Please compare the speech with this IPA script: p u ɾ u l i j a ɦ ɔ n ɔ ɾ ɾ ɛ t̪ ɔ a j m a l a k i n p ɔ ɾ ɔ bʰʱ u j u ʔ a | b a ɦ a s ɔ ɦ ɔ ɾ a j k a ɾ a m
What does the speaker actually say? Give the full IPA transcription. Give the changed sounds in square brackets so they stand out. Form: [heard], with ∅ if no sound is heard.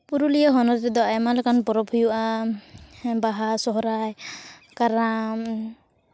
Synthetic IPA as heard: p u ɾ u l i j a ɦ ɔ n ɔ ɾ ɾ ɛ [d̪] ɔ a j m a l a k [a] n p ɔ ɾ ɔ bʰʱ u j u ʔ a | b a ɦ a s ɔ ɦ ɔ ɾ a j k a ɾ a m

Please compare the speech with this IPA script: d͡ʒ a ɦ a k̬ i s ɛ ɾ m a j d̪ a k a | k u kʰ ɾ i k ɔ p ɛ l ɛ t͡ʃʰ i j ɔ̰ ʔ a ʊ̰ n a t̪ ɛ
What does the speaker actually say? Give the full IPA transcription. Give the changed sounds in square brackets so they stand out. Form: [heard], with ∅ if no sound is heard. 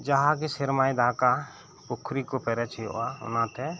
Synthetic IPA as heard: d͡ʒ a ɦ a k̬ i s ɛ ɾ m a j d̪ a k a | [p] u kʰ ɾ i k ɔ p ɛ [ɾ] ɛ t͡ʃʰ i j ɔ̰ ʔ a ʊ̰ n a t̪ ɛ

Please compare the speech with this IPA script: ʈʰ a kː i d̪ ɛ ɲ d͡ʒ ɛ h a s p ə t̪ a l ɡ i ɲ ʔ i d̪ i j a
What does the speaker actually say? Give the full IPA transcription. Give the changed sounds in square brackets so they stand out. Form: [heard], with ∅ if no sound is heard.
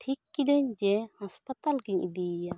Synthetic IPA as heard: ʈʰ [i] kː i d̪ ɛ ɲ d͡ʒ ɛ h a s p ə t̪ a l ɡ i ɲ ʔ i d̪ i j a

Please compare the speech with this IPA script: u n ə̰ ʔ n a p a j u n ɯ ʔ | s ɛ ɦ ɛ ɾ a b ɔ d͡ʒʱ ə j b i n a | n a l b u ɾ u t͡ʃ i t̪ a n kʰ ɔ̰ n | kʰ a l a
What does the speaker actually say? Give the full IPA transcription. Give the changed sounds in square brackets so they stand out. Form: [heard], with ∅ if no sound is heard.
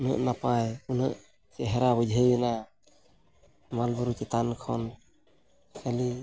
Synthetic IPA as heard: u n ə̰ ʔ n a p a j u n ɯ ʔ | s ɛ ɦ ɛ ɾ a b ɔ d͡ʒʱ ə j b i n a | [m] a l b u ɾ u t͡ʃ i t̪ a n kʰ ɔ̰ n | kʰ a l [i]

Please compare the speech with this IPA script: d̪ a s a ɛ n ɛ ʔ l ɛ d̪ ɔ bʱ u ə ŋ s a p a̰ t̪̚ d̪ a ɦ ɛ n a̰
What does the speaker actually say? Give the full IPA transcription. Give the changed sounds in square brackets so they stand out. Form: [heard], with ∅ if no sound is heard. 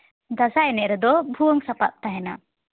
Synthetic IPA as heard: d̪ a s a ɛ n ɛ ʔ [ɾ] ɛ d̪ ɔ bʱ u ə ŋ s a p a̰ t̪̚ [t̪] a ɦ ɛ n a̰

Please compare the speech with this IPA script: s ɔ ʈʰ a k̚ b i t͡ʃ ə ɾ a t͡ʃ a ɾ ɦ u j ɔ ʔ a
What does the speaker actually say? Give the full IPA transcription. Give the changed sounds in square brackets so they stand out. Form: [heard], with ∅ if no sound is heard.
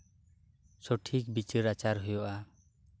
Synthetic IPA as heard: s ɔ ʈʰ [i] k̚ b i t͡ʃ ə ɾ a t͡ʃ a ɾ ɦ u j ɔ ʔ a

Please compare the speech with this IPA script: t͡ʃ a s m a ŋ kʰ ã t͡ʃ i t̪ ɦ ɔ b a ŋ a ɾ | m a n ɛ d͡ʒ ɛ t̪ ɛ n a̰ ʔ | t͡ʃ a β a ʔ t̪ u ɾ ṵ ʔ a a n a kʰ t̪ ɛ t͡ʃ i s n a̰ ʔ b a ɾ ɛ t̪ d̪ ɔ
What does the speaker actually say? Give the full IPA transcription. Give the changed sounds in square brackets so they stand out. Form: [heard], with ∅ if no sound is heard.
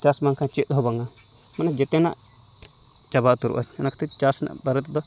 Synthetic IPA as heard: t͡ʃ a s m a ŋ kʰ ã t͡ʃ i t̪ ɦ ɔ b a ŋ a [∅] | m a n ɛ d͡ʒ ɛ t̪ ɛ n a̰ ʔ | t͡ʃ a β a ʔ t̪ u ɾ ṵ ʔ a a n a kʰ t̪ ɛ t͡ʃ [a] s n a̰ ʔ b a ɾ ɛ t̪ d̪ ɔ

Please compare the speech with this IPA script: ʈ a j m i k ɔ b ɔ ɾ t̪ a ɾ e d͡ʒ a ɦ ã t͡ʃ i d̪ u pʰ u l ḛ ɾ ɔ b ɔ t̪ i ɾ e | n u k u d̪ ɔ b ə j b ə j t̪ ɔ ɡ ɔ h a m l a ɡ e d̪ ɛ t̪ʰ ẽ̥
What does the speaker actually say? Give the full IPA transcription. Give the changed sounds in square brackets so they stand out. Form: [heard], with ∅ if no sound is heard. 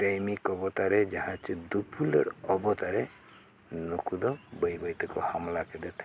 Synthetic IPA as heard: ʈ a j m i k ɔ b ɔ [∅] t̪ a ɾ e d͡ʒ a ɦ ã t͡ʃ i d̪ u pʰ u l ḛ ɾ ɔ b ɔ t̪ [a] ɾ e | n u k u d̪ ɔ b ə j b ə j t̪ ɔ [k] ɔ h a m l a [k] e d̪ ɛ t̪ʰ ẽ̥

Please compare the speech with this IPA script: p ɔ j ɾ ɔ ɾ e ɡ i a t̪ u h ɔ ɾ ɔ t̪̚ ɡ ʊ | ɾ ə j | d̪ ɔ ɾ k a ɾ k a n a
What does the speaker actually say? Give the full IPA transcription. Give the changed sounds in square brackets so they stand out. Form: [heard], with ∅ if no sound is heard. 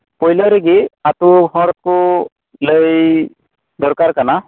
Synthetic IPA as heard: p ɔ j [l] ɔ ɾ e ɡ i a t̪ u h ɔ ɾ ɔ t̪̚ [k] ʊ | [l] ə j | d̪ ɔ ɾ k a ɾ k a n a

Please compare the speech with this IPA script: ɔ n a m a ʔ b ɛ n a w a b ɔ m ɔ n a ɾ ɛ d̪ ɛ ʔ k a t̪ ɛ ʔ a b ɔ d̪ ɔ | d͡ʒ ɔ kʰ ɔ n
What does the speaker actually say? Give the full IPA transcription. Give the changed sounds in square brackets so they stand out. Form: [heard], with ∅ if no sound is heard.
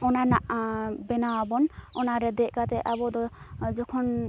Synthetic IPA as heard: ɔ n a [n] a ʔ b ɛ n a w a b ɔ [n] ɔ n a ɾ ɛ d̪ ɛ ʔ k a t̪ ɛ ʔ a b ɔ d̪ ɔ | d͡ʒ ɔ kʰ ɔ n

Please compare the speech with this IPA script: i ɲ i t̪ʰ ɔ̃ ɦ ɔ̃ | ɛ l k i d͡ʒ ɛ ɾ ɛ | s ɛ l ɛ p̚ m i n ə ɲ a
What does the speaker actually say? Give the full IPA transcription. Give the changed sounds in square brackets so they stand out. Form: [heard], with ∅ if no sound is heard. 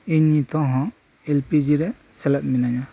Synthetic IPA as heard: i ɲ i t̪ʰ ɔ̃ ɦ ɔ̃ | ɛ l [p] i d͡ʒ [i] ɾ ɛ | s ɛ l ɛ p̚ m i n [a] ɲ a

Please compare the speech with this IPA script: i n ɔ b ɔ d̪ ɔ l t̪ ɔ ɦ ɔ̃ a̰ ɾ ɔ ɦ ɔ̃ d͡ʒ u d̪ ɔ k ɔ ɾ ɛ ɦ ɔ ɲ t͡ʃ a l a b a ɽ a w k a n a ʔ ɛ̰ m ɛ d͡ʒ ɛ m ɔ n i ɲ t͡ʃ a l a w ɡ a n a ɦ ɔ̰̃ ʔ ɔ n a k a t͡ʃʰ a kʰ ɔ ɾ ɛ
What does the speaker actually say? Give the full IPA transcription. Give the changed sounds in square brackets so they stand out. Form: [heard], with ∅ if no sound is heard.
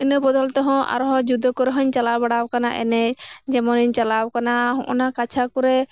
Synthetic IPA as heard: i n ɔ b ɔ d̪ ɔ l t̪ ɔ ɦ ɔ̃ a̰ ɾ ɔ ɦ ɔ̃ d͡ʒ u d̪ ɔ k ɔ ɾ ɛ ɦ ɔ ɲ t͡ʃ a l a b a ɽ a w k a n a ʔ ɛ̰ [n] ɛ d͡ʒ ɛ m ɔ n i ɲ t͡ʃ a l a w [k] a n a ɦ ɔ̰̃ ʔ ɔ n a k a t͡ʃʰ a [k] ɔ ɾ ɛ

